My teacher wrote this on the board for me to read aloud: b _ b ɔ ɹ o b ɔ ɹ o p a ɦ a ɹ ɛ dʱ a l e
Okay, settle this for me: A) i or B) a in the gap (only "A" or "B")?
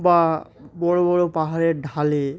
B